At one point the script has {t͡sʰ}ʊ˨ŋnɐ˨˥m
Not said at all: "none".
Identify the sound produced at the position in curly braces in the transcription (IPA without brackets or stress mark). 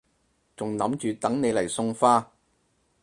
t͡s